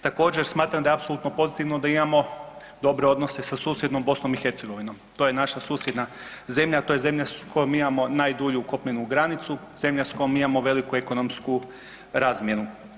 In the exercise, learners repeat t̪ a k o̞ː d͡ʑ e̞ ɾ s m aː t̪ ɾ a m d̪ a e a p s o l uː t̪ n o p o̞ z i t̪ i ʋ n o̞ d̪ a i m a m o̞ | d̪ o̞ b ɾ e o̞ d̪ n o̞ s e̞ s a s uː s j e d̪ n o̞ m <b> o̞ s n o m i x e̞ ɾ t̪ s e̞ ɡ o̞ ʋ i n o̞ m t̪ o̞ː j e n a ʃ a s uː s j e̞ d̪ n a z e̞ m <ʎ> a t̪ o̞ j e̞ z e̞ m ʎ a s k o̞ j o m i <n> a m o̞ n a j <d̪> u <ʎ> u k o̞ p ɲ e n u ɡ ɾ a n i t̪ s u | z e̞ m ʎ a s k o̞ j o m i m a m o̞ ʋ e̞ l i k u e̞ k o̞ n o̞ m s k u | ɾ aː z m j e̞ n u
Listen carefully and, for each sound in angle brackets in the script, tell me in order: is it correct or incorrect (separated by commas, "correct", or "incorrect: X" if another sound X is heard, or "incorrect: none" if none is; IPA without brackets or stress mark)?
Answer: correct, correct, incorrect: m, correct, correct